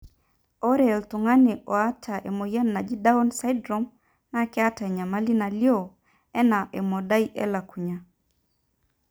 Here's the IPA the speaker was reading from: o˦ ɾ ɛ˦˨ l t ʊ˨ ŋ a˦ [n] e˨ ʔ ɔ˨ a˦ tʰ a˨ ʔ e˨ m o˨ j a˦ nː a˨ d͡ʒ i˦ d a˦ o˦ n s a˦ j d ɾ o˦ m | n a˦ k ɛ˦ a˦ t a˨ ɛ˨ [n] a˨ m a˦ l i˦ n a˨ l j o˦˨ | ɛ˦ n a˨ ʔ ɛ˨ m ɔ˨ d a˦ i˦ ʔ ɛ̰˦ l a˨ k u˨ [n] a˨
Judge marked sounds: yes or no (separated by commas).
yes, no, no